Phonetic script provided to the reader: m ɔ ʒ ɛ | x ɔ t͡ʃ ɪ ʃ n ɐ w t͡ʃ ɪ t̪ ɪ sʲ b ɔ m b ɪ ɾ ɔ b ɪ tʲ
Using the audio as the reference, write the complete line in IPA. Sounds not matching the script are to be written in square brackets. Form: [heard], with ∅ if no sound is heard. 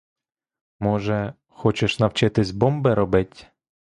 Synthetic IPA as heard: m ɔ ʒ ɛ | x ɔ t͡ʃ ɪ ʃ n ɐ w t͡ʃ ɪ t̪ ɪ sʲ b ɔ m b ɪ ɾ ɔ b ɪ tʲ